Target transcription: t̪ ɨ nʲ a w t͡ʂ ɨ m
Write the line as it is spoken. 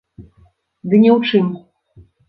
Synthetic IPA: d̪ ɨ nʲ ɛ w t͡ʂ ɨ m

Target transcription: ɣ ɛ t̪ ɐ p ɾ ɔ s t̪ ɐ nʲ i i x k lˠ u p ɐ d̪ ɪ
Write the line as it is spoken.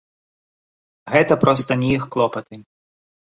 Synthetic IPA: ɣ ɛ t̪ ɐ p ɾ ɔ s t̪ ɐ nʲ i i x k lˠ ɔ p ɐ t̪ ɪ

